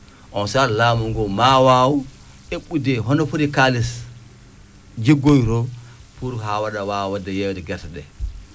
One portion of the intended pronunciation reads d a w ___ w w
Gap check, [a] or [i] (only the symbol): a